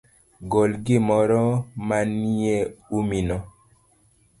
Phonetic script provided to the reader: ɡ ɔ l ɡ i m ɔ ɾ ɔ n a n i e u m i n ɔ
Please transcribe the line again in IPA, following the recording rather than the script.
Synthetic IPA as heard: ɡ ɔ l ɡ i m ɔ ɾ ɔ m a n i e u m i n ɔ